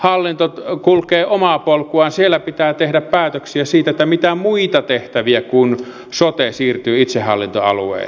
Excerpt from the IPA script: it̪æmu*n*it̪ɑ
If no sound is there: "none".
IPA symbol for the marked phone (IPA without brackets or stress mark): none